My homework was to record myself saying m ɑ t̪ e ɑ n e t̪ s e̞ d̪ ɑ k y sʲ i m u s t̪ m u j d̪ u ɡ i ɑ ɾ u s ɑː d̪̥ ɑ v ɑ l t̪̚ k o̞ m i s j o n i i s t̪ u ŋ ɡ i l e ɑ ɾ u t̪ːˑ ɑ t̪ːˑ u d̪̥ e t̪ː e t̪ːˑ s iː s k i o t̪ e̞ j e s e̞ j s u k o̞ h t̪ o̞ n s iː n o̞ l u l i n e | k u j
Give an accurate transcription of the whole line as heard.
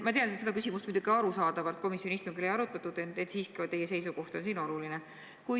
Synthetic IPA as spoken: m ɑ t̪ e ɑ n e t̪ s e̞ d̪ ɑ k y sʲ i m u s t̪ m u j d̪ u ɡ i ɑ ɾ u s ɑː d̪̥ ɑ v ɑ l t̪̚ k o̞ m i s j o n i i s t̪ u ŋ ɡ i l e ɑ ɾ u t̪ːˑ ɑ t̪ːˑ u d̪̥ e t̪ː e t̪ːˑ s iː s k i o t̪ e̞ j e s e̞ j s u k o̞ h t̪ o̞ n s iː n o̞ l u l i n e | k u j